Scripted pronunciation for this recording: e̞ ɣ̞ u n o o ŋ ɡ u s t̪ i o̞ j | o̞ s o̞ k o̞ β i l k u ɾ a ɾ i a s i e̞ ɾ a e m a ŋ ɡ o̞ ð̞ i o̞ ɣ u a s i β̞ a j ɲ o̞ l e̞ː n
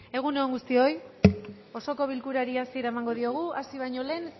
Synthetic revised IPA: e̞ ɣ̞ u n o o ŋ ɡ u s t̪ i o̞ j | o̞ s o̞ k o̞ β i l k u ɾ a ɾ i a s i e̞ ɾ a e m a ŋ ɡ o̞ ð̞ i o̞ ɣ u a s i β̞ a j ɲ o̞ l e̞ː n